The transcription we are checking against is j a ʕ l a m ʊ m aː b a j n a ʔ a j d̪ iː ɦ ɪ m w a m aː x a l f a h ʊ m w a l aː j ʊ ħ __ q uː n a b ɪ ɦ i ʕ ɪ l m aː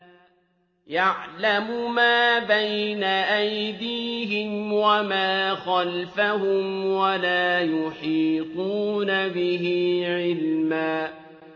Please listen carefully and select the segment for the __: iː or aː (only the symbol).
iː